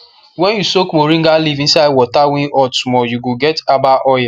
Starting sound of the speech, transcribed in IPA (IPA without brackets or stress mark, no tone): w